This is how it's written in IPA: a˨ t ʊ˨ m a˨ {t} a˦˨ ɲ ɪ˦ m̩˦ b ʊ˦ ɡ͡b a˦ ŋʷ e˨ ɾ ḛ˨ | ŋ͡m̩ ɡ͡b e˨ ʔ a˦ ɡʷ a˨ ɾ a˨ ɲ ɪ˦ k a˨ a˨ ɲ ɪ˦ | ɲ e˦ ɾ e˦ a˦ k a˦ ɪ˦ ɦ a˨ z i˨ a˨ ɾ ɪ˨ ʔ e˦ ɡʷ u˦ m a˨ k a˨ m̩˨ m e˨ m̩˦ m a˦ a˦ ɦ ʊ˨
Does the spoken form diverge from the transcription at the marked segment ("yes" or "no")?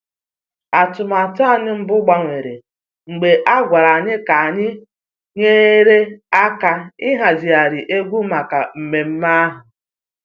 no